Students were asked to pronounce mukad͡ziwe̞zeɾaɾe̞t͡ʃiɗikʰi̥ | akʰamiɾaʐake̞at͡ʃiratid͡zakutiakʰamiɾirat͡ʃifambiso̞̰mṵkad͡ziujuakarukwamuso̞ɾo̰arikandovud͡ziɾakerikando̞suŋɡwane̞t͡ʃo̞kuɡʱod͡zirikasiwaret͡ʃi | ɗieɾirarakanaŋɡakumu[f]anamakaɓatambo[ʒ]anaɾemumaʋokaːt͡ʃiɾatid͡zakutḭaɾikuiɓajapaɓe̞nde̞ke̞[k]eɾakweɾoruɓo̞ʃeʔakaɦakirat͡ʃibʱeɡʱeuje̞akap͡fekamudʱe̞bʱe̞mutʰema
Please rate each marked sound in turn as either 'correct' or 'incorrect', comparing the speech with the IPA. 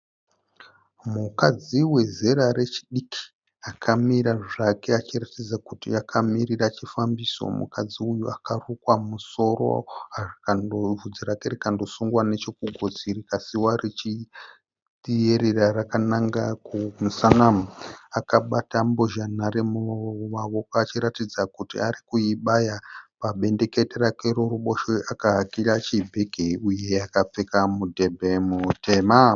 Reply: incorrect: s, correct, incorrect: t

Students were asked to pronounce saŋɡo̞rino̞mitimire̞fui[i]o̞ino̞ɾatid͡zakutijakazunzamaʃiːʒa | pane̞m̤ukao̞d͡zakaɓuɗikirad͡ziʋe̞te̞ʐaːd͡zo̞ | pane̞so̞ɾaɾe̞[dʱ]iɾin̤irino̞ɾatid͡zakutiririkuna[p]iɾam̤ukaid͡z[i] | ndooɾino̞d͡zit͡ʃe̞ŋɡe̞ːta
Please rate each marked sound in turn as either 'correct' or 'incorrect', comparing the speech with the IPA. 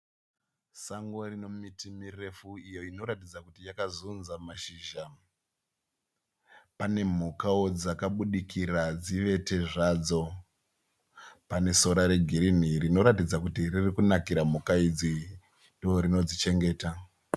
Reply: incorrect: j, incorrect: ɡʱ, incorrect: k, correct

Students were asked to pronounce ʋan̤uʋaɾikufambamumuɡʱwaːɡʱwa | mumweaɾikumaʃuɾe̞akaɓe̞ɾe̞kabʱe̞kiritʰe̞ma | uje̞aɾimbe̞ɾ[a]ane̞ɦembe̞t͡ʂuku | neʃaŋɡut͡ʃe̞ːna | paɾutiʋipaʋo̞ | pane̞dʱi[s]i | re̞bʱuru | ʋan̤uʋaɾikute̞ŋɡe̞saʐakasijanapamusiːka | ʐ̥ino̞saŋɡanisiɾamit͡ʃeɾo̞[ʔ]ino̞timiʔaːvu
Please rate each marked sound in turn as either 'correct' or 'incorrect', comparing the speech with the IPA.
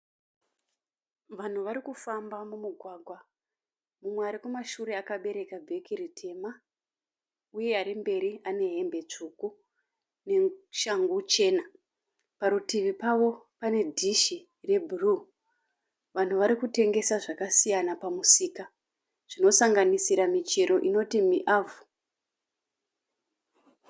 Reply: incorrect: i, incorrect: ʃ, correct

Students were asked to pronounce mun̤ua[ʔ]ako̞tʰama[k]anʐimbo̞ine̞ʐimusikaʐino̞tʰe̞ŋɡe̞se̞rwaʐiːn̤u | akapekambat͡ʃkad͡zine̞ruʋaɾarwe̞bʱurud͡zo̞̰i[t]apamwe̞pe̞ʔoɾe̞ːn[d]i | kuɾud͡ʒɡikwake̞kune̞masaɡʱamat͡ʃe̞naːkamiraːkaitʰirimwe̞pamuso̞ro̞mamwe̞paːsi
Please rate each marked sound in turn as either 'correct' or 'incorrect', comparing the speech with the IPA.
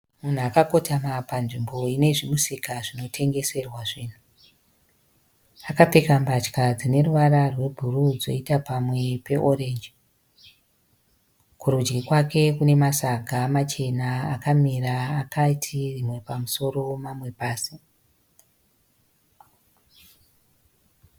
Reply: incorrect: k, incorrect: p, correct, incorrect: d͡ʒ

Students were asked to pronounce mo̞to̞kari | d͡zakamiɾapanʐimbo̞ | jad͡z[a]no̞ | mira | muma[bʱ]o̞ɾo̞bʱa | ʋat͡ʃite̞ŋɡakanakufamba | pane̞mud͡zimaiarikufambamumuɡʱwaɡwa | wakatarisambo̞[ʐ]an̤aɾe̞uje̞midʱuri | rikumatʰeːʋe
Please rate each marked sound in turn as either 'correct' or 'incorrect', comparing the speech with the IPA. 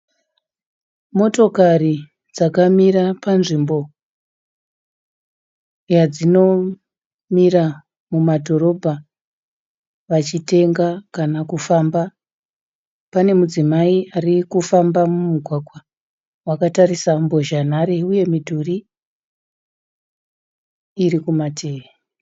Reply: incorrect: i, incorrect: dʱ, incorrect: ʒ

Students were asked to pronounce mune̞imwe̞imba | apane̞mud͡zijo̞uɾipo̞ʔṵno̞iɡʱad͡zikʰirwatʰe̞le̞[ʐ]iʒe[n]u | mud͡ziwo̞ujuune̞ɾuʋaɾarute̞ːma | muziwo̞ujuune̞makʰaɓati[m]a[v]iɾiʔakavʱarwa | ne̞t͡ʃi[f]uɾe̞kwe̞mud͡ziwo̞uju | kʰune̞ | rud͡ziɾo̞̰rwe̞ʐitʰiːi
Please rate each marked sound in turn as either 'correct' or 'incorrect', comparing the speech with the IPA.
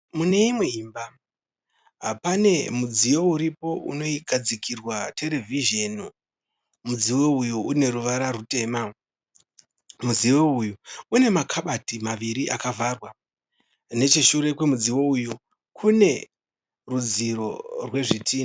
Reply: incorrect: v, correct, correct, incorrect: ʋ, incorrect: ʃ

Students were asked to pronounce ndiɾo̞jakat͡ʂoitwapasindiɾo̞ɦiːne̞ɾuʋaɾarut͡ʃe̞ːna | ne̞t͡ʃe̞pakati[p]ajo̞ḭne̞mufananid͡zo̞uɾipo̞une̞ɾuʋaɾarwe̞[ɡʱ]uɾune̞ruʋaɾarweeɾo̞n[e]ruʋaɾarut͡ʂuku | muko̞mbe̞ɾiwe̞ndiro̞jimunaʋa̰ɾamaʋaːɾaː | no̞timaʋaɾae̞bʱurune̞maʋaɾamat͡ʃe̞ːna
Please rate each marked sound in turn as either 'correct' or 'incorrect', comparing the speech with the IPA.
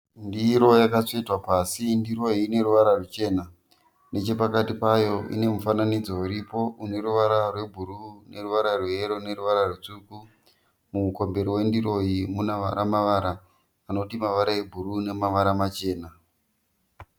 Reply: correct, incorrect: bʱ, correct

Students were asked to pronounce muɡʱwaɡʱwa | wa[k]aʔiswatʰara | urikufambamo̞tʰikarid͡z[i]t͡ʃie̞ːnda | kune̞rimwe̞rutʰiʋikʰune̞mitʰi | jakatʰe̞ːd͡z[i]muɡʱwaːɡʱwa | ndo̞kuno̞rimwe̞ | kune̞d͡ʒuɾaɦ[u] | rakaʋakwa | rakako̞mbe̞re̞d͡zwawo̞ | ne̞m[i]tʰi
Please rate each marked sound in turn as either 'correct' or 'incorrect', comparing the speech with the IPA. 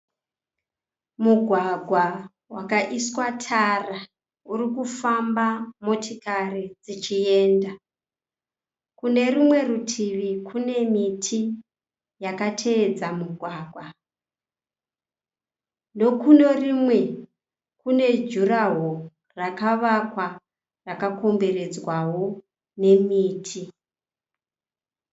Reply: correct, correct, incorrect: a, incorrect: o, incorrect: iː

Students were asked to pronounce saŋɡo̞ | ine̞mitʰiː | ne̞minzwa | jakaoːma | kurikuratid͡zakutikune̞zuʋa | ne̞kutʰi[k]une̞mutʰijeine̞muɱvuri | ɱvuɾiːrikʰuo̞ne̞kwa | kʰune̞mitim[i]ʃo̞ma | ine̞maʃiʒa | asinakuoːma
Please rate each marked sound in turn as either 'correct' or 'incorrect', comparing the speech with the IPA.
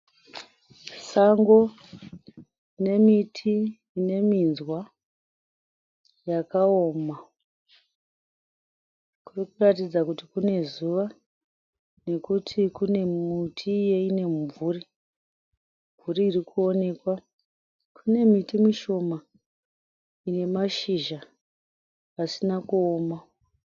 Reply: correct, correct

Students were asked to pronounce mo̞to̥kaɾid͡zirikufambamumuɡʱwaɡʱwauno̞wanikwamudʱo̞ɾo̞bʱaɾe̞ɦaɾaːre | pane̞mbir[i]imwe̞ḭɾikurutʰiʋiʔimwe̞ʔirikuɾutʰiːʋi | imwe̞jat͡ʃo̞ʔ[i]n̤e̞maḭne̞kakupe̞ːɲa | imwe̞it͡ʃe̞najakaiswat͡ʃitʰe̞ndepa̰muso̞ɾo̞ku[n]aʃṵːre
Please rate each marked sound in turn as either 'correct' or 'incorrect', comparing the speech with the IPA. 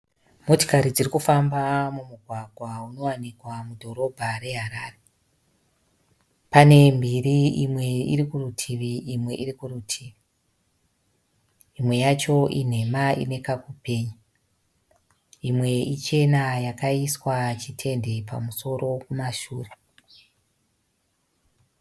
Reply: correct, correct, incorrect: m

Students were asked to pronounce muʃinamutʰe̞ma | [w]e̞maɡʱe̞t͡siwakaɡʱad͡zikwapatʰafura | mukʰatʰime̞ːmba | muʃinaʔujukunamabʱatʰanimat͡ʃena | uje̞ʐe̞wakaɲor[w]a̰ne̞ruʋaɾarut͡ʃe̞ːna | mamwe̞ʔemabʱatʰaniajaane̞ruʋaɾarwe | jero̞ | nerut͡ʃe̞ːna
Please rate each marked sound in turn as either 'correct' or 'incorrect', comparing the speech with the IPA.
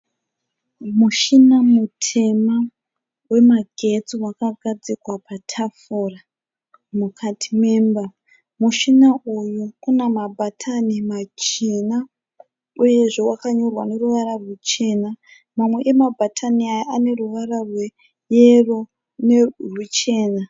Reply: correct, correct

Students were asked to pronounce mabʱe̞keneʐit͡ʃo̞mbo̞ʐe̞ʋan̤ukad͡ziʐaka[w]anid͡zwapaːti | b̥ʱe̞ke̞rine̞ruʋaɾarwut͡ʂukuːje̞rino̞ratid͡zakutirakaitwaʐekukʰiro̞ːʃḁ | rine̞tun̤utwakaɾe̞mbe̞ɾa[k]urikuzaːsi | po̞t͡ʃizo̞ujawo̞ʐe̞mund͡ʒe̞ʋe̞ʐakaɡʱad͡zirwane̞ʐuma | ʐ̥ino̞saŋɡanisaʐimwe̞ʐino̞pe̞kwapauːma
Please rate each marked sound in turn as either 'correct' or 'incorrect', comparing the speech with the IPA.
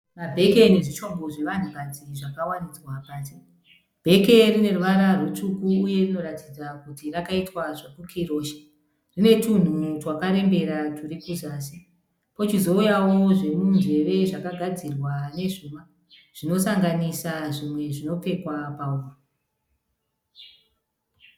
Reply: correct, incorrect: t

